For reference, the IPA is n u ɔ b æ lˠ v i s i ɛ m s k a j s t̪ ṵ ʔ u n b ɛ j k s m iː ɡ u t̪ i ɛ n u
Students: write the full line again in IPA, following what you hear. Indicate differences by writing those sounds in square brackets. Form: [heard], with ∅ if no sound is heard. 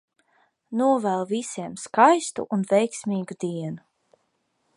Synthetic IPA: n u ɔ [v] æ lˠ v i s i ɛ m s k a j s t̪ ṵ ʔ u n [v] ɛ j k s m iː ɡ u [d̪] i ɛ n u